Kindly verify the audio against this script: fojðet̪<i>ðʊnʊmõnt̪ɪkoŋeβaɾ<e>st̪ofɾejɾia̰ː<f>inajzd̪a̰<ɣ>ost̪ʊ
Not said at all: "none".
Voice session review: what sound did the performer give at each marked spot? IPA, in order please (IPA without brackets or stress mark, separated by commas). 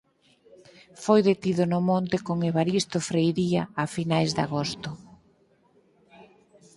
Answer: i, i, f, ɣ